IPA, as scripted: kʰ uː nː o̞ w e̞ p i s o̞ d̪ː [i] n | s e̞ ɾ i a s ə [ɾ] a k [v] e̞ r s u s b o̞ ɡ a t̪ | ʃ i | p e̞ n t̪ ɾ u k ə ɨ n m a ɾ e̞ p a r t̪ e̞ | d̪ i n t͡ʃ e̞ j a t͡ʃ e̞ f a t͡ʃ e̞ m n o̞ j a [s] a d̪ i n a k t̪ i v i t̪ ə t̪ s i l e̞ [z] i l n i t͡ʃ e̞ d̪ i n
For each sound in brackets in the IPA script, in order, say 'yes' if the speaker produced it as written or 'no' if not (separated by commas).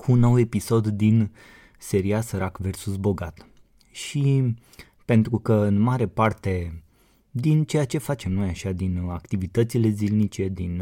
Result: yes, yes, yes, no, yes